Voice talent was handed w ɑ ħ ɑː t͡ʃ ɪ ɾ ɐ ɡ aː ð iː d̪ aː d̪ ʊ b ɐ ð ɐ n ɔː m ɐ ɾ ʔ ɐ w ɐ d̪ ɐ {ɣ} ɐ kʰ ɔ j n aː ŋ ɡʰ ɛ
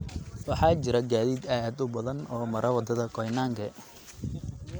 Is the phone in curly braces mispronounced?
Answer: yes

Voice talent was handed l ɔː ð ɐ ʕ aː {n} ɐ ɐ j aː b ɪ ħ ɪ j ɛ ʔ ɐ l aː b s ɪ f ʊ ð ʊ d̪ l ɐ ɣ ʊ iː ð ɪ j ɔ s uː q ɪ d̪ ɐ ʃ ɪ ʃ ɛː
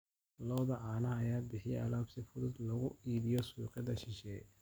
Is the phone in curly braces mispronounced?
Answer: no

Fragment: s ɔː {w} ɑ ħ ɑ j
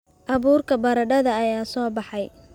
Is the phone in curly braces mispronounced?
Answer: yes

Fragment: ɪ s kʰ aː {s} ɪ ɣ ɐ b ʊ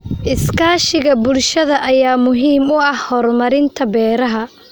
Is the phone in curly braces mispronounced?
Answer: yes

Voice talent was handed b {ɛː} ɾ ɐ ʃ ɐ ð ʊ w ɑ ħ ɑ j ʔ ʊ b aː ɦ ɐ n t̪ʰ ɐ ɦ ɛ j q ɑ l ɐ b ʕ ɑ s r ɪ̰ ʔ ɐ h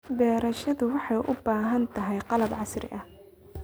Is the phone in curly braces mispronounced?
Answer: no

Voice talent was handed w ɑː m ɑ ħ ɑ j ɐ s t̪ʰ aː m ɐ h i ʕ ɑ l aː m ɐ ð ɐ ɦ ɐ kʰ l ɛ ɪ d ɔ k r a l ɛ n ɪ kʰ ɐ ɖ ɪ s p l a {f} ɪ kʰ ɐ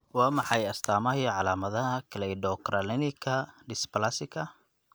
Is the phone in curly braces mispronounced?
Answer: yes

